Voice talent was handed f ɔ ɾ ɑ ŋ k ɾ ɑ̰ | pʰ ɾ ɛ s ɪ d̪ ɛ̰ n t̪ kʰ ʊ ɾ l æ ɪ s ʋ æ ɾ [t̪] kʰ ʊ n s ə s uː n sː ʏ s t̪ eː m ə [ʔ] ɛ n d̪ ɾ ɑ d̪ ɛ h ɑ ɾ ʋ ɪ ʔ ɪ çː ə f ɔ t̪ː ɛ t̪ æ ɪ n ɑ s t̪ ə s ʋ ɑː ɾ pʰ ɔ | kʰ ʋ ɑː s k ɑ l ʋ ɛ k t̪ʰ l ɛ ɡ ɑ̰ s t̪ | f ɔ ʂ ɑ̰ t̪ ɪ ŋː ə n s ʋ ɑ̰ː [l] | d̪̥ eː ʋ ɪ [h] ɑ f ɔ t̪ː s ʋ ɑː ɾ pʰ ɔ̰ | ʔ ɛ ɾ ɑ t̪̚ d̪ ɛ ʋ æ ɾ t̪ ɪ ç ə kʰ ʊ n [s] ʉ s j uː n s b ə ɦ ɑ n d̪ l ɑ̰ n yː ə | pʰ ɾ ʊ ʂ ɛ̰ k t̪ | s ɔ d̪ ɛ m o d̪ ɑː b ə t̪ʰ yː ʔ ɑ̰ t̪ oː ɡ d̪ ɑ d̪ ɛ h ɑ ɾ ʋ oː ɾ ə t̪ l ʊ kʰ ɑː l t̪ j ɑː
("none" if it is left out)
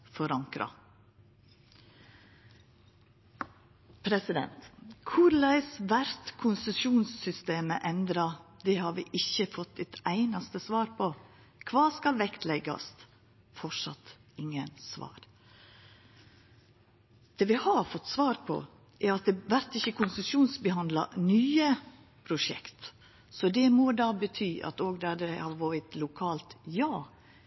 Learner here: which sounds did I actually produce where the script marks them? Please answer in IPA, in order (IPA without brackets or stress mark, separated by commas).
t̪, ʔ, ɾ, h, s